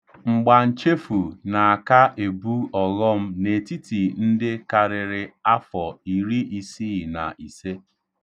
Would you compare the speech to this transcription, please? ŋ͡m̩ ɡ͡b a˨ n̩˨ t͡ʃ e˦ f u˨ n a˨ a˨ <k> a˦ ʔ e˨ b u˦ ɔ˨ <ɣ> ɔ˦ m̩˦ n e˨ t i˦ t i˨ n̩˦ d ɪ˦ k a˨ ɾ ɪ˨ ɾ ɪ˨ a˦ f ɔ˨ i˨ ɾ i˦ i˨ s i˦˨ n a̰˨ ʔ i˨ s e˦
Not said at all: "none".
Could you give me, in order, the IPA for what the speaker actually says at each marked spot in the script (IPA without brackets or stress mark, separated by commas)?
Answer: k, ɣ